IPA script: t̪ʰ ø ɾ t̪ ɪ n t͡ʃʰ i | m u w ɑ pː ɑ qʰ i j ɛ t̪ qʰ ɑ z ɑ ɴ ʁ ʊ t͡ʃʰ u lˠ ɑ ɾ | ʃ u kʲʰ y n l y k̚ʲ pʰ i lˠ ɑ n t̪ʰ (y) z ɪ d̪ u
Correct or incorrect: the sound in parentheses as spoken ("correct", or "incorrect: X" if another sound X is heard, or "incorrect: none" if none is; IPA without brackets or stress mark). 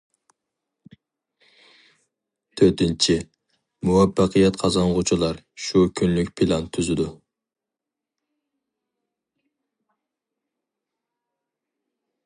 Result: correct